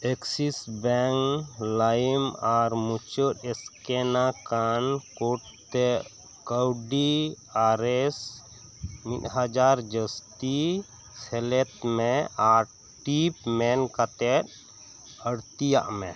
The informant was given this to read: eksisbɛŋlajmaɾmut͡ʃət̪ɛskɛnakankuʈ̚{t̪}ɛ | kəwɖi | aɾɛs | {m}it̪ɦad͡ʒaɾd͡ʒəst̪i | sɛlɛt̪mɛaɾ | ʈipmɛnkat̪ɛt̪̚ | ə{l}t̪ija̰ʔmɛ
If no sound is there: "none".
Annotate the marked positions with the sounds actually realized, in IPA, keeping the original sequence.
t̪, m, ɽ

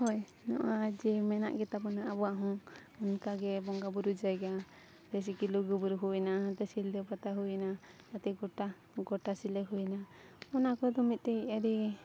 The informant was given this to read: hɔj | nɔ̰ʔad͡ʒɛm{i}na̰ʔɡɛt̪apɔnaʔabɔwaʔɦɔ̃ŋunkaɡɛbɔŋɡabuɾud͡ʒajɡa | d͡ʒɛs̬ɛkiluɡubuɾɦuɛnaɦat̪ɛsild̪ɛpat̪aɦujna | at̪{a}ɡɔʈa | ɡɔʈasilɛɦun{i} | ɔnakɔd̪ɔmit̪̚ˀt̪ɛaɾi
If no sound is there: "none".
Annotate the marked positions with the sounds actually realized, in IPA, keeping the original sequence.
ɛ, ɛ, a

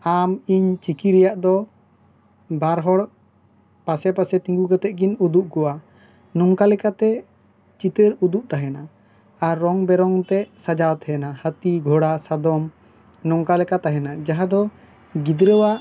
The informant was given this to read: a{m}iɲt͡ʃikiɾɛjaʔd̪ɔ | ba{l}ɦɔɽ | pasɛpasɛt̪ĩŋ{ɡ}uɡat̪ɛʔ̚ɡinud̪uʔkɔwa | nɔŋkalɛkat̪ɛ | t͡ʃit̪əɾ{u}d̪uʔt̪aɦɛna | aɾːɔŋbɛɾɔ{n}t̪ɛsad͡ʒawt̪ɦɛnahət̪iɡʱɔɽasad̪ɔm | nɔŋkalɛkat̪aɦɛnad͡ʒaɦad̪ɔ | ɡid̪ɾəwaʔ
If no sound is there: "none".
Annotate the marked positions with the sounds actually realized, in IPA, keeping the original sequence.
m, ɾ, ɡ, u, ŋ

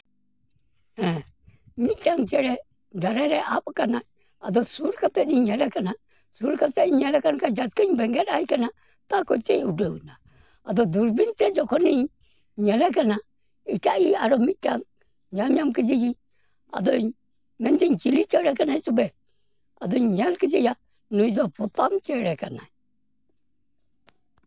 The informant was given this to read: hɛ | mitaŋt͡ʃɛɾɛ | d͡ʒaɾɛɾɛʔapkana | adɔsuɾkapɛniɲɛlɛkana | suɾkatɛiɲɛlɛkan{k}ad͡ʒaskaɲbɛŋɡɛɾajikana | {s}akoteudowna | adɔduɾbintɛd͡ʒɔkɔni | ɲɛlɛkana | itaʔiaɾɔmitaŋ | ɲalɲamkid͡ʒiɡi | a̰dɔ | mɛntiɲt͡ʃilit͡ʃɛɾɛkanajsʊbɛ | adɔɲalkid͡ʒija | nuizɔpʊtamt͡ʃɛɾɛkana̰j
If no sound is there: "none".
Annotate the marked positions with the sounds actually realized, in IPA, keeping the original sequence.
k, t

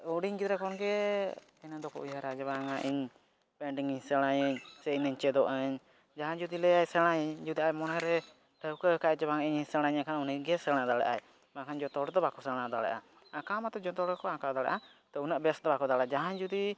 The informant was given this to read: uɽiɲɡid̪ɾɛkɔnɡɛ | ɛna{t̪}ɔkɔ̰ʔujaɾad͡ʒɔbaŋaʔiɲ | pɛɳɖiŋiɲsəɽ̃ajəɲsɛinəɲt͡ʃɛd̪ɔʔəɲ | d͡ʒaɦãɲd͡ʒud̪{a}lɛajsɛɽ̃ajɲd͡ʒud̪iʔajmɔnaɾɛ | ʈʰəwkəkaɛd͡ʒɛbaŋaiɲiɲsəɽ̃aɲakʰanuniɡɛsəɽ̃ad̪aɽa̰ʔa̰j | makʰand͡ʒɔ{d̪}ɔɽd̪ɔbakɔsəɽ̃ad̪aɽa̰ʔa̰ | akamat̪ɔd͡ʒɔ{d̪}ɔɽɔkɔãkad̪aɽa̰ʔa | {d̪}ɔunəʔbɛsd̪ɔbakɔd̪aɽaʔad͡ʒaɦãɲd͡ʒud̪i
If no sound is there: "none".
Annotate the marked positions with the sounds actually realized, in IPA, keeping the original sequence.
d̪, i, t̪, t̪, t̪

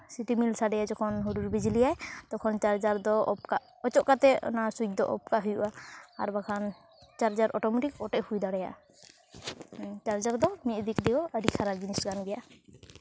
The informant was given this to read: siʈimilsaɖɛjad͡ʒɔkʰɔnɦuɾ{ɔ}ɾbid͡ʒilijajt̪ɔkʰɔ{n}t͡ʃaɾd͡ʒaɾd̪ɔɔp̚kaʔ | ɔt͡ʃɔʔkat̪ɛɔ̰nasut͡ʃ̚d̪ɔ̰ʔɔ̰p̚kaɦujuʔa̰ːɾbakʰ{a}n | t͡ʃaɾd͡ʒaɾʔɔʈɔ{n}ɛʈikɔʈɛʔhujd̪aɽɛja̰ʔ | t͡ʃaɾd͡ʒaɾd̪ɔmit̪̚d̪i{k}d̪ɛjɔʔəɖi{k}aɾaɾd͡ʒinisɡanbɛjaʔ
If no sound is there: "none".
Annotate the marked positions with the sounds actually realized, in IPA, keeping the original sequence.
u, n, a, m, k, kʰ

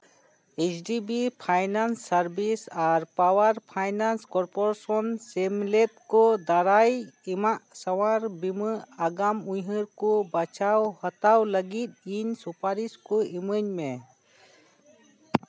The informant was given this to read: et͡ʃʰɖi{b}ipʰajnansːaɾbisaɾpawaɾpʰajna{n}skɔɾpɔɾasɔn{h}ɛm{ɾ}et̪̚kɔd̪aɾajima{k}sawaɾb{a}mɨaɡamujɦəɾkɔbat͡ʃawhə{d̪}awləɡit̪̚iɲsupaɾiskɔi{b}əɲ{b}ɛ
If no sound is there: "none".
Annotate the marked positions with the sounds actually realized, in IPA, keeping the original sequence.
b, n, s, l, ʔ, i, t̪, m, m

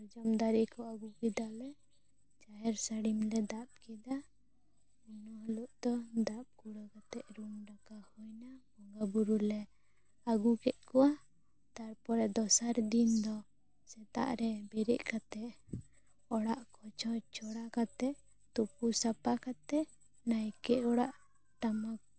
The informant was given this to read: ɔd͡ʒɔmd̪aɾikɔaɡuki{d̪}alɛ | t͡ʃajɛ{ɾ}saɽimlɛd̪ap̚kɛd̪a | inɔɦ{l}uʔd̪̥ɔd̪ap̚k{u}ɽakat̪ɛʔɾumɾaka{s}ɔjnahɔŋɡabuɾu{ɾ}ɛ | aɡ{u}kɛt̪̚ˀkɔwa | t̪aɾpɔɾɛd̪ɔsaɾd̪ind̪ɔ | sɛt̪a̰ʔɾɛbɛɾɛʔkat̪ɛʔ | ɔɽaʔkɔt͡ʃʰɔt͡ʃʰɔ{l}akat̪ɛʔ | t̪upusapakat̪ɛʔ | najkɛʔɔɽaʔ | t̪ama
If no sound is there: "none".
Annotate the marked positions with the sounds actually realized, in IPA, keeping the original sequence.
d̪, ɾ, l, u, h, l, u, ɽ

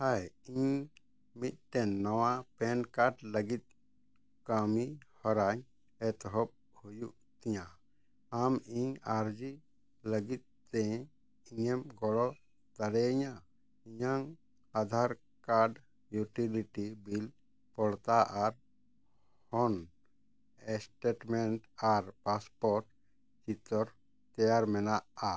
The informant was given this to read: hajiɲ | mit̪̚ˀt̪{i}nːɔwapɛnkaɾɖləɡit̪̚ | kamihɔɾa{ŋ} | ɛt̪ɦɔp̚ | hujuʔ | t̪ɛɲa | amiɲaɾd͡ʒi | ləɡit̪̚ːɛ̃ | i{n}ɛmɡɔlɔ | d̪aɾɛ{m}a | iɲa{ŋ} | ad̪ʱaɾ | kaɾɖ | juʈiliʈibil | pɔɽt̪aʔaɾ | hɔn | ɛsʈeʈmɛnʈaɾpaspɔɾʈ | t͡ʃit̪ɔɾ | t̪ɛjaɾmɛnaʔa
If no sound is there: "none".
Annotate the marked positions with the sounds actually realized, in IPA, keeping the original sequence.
ɛ, ɲ, ɲ, ɲ, ŋ

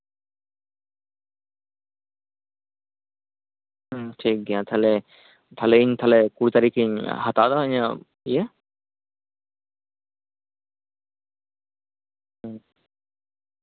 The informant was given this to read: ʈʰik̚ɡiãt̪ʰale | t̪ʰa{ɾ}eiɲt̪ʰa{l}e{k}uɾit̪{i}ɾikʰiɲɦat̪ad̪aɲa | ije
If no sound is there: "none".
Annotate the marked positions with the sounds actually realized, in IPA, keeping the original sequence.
l, l, k, a

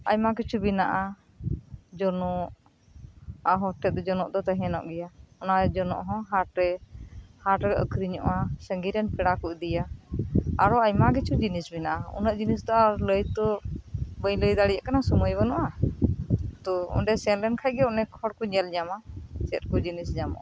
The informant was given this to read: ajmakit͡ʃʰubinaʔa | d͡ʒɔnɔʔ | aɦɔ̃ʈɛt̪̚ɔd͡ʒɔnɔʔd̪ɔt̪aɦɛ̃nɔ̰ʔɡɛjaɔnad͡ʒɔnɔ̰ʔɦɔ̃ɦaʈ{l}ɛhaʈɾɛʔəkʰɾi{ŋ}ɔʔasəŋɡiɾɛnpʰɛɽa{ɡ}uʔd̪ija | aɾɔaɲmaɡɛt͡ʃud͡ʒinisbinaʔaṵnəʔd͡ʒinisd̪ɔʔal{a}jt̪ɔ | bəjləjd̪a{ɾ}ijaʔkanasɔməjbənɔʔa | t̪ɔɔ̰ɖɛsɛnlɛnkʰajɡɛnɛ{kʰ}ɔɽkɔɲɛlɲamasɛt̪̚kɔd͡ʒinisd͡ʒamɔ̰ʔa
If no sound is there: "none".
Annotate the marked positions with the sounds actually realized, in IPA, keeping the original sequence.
ɾ, ɲ, k, ə, ɽ, kʰ

